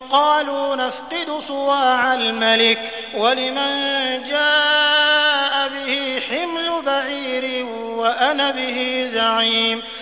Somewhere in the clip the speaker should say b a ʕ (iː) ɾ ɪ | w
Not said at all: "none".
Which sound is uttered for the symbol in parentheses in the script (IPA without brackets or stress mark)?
iː